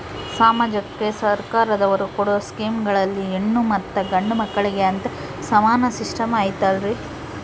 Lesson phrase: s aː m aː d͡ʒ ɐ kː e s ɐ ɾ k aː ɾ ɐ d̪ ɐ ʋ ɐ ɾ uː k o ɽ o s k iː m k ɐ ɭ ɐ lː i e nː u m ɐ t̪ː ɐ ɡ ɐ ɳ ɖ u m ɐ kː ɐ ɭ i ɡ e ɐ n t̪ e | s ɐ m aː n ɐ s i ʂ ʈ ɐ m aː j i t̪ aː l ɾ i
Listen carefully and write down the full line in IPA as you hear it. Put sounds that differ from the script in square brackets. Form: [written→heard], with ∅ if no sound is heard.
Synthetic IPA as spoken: s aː m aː d͡ʒ ɐ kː e s ɐ ɾ k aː ɾ ɐ d̪ ɐ ʋ ɐ ɾ [uː→u] k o ɽ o s k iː m [k→ɡ] ɐ ɭ ɐ lː i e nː u m ɐ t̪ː ɐ ɡ ɐ ɳ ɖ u m ɐ kː ɐ ɭ i ɡ e ɐ n t̪ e | s ɐ m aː n ɐ s i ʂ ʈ ɐ m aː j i t̪ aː l ɾ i